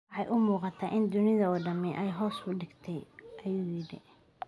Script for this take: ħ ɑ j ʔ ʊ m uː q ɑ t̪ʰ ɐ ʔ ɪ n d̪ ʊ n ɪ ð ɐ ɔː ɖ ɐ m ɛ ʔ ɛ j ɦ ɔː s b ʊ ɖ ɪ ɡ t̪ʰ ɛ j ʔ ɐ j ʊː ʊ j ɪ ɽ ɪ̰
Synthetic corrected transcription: ħ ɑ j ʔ ʊ m uː q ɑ t̪ʰ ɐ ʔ ɪ n d̪ ʊ n ɪ ð ɐ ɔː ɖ ɐ m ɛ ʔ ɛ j ɦ ɔː s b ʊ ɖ ɪ ɡ t̪ʰ ɛ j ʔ ɐ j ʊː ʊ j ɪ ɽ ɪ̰